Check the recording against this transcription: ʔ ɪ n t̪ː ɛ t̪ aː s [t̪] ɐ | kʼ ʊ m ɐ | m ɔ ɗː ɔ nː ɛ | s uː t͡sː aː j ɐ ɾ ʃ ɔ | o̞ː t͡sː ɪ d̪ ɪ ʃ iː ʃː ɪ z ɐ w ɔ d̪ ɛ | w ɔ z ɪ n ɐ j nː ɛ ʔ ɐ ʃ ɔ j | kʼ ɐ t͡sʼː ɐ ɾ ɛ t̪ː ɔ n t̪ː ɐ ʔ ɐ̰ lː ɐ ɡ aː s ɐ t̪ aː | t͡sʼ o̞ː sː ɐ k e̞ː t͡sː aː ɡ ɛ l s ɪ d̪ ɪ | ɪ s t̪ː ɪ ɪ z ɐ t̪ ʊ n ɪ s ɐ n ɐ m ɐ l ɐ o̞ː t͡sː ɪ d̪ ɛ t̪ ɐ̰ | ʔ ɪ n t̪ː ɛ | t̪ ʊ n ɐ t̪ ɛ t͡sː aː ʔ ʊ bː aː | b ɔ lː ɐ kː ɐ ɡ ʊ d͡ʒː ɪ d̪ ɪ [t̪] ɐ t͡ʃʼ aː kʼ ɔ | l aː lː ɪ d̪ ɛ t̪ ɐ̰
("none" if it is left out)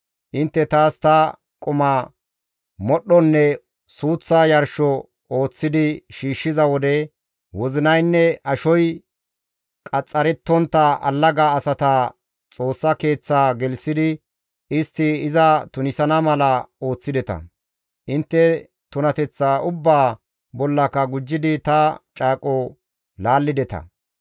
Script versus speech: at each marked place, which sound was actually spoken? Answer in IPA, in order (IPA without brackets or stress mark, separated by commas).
t̪, t̪